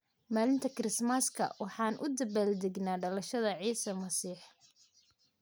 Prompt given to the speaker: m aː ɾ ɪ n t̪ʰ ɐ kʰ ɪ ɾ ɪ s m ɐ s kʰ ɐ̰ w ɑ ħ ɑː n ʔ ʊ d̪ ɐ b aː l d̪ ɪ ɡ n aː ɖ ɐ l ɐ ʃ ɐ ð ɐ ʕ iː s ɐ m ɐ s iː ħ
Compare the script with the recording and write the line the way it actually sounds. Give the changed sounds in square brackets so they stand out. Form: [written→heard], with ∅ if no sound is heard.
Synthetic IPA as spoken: m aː [ɾ→l] ɪ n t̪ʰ ɐ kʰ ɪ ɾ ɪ s m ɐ s kʰ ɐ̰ w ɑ ħ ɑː n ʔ ʊ d̪ ɐ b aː l d̪ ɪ ɡ n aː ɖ ɐ l ɐ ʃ ɐ ð ɐ ʕ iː s ɐ m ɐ s iː ħ